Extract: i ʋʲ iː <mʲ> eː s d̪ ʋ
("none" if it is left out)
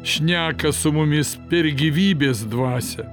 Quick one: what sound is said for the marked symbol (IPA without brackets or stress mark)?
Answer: bʲ